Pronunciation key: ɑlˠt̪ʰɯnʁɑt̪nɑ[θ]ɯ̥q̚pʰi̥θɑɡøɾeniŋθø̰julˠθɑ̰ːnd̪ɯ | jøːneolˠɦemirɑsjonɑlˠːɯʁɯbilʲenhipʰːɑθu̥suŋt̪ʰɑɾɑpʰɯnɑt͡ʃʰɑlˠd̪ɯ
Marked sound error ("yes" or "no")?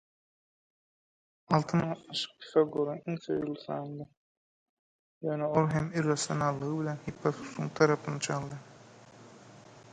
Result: yes